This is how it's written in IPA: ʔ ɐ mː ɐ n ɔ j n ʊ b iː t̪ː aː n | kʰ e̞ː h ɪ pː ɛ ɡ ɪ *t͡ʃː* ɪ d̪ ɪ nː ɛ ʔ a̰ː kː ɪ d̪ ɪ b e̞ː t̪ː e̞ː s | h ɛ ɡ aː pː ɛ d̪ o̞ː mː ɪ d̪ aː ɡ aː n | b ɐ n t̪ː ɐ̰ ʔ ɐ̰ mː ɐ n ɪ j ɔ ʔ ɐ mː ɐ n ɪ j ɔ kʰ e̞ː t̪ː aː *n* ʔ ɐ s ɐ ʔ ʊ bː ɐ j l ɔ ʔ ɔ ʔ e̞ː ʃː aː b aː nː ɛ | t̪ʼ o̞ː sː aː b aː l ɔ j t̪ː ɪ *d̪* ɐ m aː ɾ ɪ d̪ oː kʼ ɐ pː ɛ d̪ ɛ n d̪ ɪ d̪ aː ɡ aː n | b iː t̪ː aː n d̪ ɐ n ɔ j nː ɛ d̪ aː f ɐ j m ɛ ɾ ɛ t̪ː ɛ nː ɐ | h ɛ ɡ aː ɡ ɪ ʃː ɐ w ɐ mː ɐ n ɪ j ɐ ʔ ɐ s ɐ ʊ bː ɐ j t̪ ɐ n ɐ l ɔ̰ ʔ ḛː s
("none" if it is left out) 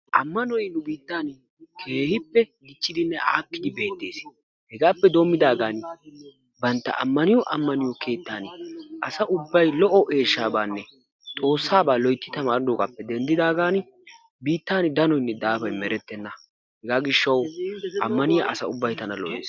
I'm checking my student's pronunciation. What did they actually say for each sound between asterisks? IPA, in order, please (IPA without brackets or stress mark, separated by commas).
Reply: t͡ʃː, n, t̪